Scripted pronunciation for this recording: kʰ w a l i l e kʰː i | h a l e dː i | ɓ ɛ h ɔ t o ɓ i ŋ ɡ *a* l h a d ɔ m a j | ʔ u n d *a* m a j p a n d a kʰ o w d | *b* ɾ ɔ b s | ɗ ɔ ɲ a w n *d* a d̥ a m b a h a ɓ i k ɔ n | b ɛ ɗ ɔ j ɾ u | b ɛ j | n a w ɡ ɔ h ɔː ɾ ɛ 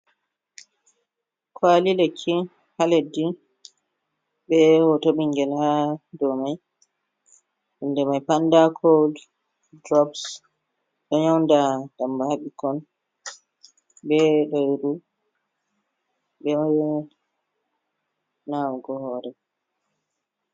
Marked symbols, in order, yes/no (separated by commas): no, no, no, yes